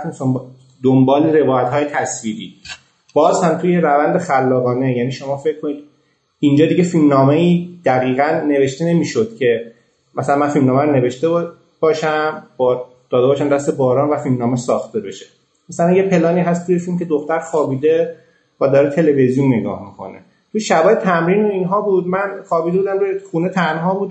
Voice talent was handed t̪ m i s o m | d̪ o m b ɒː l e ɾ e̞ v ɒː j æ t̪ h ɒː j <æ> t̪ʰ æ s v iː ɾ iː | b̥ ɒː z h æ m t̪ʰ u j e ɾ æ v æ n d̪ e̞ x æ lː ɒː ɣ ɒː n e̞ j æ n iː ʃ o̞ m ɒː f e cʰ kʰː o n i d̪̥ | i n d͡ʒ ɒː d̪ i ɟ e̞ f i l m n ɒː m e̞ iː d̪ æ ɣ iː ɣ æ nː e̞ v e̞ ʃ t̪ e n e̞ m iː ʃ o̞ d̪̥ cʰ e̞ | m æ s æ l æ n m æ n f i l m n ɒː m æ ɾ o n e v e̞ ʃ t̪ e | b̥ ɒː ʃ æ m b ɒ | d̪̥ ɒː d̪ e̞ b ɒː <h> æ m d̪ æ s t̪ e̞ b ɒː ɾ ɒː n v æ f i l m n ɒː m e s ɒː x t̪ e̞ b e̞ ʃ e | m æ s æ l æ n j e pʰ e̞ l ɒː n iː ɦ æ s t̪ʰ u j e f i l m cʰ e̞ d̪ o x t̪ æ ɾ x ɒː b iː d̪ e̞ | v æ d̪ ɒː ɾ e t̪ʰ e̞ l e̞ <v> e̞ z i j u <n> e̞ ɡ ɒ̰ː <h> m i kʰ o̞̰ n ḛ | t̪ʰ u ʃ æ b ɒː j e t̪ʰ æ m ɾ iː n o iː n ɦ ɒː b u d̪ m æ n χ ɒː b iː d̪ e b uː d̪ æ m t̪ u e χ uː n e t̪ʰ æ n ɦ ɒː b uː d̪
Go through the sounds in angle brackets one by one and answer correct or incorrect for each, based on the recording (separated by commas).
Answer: incorrect, incorrect, correct, incorrect, correct